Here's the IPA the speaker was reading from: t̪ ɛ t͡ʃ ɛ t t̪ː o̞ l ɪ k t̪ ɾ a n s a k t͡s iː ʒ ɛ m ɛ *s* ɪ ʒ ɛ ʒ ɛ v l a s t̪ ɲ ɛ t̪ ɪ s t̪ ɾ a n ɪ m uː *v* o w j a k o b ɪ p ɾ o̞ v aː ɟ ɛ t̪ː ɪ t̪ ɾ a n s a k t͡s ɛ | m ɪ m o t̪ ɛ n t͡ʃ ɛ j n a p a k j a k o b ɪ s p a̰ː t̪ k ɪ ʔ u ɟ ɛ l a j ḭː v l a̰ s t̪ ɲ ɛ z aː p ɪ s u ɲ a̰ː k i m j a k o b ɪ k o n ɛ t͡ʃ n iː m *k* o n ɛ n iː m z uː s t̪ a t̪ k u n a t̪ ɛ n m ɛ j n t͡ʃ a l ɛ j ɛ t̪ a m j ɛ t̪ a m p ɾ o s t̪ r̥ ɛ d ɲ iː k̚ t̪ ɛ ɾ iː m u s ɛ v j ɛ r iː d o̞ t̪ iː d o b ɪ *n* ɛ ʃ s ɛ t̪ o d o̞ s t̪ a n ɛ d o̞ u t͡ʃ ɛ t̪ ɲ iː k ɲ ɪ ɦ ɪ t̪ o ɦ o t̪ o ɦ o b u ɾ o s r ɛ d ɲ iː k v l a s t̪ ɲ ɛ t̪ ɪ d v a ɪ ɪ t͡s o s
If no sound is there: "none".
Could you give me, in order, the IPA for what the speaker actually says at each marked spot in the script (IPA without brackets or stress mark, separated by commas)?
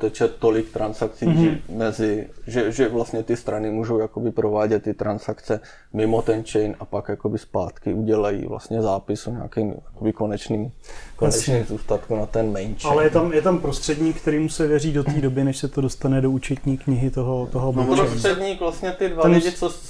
z, ʒ, k, n